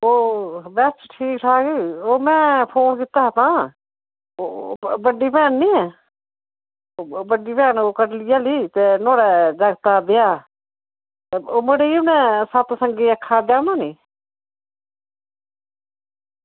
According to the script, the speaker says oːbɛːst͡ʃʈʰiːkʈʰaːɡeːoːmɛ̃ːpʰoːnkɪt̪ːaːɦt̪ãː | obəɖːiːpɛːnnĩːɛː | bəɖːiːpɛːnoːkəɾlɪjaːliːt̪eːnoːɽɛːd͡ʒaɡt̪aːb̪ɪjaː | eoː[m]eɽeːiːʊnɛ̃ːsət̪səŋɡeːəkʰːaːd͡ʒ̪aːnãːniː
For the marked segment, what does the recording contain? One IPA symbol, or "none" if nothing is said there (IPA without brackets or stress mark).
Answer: m